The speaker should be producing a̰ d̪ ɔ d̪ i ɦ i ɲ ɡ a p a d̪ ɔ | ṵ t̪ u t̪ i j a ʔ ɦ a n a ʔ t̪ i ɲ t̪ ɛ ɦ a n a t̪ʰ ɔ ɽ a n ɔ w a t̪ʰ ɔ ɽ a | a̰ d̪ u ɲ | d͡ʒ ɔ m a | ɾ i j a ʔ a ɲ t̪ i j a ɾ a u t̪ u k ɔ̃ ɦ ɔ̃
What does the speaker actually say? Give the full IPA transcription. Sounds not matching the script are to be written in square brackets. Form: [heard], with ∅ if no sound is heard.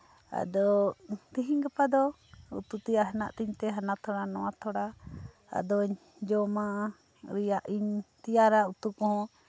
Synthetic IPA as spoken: a̰ d̪ ɔ [t̪] i ɦ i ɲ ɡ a p a d̪ ɔ | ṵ t̪ u t̪ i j a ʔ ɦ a n a ʔ t̪ i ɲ t̪ ɛ ɦ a n a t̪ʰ ɔ ɽ a n ɔ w a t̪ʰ ɔ ɽ a | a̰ d̪ [ɔ] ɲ | d͡ʒ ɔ m a | ɾ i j a ʔ [i] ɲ t̪ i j a ɾ a u t̪ u k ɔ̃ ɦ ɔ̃